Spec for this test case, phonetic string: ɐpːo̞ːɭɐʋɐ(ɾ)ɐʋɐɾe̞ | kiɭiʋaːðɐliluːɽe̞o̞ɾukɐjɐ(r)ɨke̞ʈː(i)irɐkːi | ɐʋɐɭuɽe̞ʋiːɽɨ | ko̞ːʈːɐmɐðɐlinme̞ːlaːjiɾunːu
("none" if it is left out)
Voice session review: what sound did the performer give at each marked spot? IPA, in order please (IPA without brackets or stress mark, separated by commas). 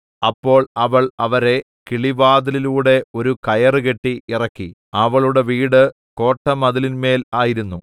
ɭ, r, i